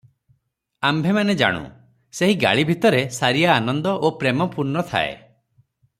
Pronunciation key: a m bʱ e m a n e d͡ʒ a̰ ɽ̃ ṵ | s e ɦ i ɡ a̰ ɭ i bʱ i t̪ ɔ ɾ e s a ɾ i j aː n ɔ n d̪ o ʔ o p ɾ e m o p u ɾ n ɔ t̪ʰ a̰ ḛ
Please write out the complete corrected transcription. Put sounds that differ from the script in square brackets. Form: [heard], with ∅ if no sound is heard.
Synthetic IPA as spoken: a m bʱ e m a n e d͡ʒ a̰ ɽ̃ ṵ | s e ɦ i ɡ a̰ ɭ i bʱ i t̪ ɔ ɾ e s a ɾ i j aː n ɔ n d̪ [ɔ] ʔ o p ɾ e m [ɔ] p u ɾ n ɔ t̪ʰ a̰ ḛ